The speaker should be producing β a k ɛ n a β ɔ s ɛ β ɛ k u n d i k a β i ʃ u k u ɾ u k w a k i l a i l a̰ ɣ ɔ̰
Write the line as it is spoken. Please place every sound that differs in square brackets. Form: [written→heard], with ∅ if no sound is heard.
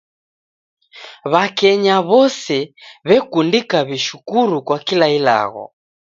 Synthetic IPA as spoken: β a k ɛ [n→ɲ] a β ɔ s ɛ β ɛ k u n d i k a β i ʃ u k u ɾ u k w a k i l a i l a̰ ɣ ɔ̰